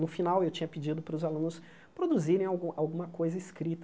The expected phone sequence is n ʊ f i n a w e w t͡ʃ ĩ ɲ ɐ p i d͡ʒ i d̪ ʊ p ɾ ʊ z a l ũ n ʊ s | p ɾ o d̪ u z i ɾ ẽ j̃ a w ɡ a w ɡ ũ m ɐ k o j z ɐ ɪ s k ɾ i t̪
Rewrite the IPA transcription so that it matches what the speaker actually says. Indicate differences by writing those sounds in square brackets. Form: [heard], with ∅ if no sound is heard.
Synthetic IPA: n ʊ f i n a w e w t͡ʃ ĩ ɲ ɐ p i d͡ʒ i d̪ ʊ p ɾ ʊ z a l ũ n ʊ s | p ɾ o d̪ u z i ɾ ẽ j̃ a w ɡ a w ɡ ũ m ɐ k o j z ɐ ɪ s k ɾ i t̪